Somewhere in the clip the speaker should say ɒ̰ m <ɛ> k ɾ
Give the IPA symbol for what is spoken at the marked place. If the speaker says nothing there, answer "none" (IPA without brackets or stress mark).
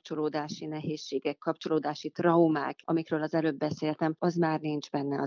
i